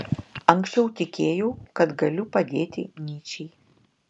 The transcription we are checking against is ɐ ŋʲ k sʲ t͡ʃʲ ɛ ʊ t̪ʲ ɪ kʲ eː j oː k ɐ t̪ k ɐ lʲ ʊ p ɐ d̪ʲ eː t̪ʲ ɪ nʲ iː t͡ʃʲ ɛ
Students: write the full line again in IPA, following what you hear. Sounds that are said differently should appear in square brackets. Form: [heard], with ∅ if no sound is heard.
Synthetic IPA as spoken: ɐ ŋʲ k sʲ t͡ʃʲ ɛ ʊ t̪ʲ ɪ kʲ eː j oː k ɐ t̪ [ɡ] ɐ lʲ ʊ p ɐ d̪ʲ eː t̪ʲ ɪ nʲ iː t͡ʃʲ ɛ